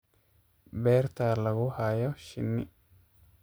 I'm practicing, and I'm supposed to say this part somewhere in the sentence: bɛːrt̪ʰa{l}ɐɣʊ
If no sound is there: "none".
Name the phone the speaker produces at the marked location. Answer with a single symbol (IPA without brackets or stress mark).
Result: l